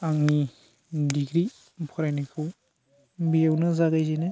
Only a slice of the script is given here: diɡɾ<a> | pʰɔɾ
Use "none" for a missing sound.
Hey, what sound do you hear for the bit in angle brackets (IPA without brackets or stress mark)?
i